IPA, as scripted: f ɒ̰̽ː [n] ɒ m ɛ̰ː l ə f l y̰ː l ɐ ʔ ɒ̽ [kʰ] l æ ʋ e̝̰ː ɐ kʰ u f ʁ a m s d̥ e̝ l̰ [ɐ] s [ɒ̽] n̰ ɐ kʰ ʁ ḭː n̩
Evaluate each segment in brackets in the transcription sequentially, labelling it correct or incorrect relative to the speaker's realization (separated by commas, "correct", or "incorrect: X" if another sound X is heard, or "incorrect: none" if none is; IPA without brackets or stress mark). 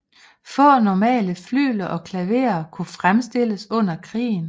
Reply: correct, correct, incorrect: ə, incorrect: ɔ̽